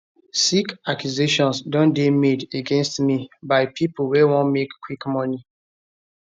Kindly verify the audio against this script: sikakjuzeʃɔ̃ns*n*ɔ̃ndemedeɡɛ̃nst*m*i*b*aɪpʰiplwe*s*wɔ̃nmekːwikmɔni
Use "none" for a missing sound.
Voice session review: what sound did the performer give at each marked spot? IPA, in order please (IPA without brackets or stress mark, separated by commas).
d, m, b, none